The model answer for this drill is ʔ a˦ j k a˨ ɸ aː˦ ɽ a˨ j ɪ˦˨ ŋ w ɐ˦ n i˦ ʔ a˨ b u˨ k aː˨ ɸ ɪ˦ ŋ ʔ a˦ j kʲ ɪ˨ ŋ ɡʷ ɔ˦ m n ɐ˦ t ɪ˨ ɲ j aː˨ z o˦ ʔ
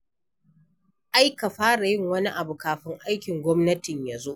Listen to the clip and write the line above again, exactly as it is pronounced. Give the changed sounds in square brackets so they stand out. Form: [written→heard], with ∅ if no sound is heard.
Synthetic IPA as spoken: ʔ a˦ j k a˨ ɸ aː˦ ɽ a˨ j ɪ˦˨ ŋ w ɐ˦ n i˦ ʔ a˨ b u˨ k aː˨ ɸ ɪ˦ ŋ ʔ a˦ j kʲ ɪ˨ ŋ ɡʷ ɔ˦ m n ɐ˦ t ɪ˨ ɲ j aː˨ z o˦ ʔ